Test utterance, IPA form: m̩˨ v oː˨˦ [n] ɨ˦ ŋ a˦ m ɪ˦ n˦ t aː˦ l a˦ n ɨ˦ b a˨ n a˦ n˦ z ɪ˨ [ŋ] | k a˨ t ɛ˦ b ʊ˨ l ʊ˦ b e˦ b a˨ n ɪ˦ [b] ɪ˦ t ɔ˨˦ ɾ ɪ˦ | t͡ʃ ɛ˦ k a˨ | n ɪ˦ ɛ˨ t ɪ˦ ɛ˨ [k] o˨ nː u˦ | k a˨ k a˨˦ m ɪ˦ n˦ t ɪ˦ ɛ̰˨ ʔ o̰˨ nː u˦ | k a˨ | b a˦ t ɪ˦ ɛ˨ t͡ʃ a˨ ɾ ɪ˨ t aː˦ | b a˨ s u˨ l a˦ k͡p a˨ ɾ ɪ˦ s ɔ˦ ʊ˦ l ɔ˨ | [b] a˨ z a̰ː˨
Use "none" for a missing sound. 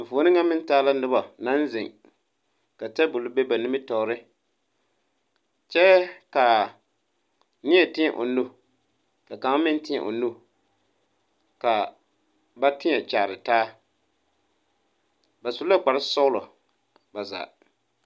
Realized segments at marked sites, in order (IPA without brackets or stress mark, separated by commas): n, ŋ, m, ʔ, b